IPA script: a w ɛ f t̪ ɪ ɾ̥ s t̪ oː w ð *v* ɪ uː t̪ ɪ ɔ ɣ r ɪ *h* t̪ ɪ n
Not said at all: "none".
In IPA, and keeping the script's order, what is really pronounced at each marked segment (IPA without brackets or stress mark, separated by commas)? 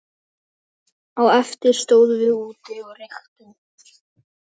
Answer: v, x